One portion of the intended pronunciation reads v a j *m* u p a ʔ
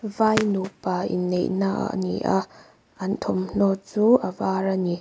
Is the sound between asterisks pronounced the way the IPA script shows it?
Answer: no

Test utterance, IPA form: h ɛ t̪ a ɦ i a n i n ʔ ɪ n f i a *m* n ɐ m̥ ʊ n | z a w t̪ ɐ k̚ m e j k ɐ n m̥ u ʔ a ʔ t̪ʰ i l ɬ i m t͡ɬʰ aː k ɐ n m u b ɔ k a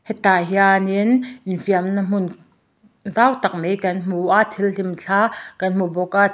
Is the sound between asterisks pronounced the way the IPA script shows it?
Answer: yes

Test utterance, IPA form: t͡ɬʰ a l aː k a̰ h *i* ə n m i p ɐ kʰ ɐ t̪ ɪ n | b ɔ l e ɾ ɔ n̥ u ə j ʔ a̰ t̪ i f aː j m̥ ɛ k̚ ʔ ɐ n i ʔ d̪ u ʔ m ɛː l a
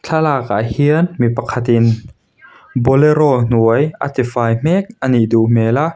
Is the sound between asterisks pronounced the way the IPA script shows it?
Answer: yes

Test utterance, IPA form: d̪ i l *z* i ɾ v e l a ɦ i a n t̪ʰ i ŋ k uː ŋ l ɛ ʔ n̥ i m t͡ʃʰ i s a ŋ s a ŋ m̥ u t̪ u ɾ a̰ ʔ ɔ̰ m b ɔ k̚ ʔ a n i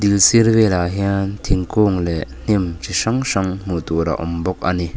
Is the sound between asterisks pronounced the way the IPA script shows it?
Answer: no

